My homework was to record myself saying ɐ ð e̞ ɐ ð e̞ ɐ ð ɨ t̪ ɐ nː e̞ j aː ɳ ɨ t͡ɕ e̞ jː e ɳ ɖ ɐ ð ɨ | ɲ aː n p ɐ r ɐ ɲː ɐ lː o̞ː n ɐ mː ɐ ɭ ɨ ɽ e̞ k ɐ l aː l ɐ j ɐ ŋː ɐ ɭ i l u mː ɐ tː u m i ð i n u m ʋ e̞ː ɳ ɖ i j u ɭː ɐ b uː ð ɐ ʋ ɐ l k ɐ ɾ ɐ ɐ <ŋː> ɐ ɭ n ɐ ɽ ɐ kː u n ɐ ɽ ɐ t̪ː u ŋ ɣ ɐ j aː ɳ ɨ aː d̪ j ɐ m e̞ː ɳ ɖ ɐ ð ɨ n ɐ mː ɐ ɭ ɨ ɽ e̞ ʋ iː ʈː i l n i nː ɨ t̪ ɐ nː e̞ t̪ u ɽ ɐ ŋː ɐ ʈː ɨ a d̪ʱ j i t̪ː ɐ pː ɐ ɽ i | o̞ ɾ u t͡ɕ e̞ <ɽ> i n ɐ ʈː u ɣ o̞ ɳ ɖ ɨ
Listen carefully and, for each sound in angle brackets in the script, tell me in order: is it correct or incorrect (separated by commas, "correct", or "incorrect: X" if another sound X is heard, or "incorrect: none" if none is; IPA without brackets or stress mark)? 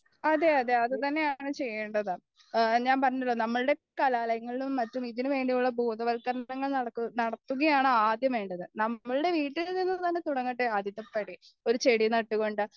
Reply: correct, correct